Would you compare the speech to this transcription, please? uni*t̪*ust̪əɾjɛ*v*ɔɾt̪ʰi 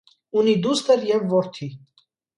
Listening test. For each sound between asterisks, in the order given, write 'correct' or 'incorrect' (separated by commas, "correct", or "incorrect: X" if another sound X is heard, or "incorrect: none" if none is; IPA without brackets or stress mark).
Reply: incorrect: d̪, incorrect: vː